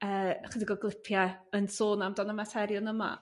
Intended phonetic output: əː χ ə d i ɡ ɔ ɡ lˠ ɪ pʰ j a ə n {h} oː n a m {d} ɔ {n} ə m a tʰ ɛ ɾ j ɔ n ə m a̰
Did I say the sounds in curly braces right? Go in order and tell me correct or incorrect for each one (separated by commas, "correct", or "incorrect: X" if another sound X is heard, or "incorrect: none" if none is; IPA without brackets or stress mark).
incorrect: s, correct, correct